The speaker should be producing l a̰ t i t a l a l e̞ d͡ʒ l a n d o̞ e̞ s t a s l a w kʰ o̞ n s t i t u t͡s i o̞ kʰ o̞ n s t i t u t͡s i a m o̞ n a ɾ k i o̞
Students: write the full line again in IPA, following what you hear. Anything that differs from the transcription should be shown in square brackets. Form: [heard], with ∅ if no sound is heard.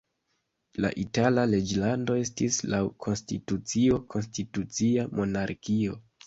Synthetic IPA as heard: l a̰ [ʔ] i t a l a l e̞ d͡ʒ l a n d o̞ e̞ s t [i] s l a w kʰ o̞ n s t i t u t͡s i o̞ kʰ o̞ n s t i t u t͡s i a m o̞ n a ɾ k i o̞